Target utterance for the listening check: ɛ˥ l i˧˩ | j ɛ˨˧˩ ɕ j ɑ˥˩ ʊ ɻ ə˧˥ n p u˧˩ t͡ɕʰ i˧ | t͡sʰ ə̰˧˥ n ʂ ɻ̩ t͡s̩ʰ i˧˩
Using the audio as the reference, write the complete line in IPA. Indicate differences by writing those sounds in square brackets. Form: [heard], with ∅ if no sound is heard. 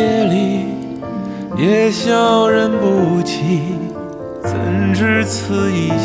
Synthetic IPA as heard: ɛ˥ l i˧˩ | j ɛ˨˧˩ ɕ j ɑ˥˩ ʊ ɻ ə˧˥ n p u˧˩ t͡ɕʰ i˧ | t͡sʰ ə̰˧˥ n [ʈ͡ʂ] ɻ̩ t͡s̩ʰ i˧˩